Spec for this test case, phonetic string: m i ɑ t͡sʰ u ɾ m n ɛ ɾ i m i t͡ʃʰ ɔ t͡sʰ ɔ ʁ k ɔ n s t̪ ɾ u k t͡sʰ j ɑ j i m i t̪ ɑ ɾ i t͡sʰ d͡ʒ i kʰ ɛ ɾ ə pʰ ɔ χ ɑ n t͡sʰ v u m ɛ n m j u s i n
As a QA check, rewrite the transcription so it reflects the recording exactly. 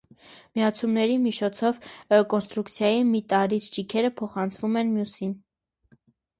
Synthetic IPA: m i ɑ t͡sʰ u m n ɛ ɾ i m i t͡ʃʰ ɔ t͡sʰ ɔ v k ɔ n s t̪ ɾ u k t͡sʰ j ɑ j i m i t̪ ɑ ɾ i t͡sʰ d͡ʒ i kʰ ɛ ɾ ə pʰ ɔ χ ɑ n t͡sʰ v u m ɛ n m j u s i n